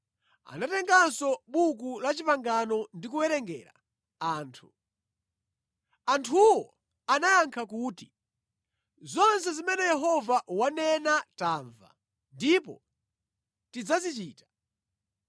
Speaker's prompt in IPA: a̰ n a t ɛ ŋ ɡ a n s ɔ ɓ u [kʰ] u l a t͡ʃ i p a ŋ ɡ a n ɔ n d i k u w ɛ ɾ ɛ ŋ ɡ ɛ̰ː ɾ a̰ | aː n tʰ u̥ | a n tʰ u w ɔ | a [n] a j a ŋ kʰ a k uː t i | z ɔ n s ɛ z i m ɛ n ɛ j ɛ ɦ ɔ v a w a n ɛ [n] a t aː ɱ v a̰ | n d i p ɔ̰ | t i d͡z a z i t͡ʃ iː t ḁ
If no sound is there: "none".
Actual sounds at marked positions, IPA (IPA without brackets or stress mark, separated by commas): k, n, n